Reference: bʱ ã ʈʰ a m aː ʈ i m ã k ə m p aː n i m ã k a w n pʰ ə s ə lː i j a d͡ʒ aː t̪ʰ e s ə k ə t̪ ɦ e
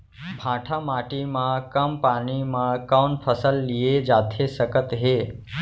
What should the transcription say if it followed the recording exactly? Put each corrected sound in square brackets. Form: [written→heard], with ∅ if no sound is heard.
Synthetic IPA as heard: bʱ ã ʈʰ a m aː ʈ i m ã k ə m p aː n i m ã k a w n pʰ ə s ə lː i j [a→e] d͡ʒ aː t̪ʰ e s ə k ə t̪ ɦ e